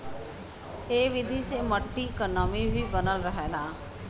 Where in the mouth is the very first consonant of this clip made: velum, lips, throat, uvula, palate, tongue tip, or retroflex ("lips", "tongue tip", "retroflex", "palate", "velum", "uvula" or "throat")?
lips